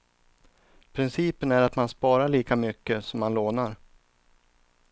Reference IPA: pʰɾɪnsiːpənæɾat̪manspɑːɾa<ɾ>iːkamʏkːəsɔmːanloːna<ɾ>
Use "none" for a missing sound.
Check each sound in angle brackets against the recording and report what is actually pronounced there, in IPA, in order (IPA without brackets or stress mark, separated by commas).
ɭ, ɾ